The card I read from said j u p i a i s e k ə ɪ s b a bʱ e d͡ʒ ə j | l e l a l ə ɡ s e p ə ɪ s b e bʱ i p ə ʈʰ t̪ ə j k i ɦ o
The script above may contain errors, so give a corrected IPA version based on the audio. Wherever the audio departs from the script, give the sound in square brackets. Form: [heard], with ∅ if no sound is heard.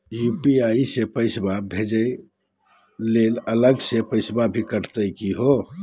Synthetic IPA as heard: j u p i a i s e [p] ə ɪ s b a bʱ e d͡ʒ ə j | l e l [ə] l ə ɡ s e p ə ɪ s b [a] bʱ i [k] ə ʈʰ t̪ ə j k i ɦ o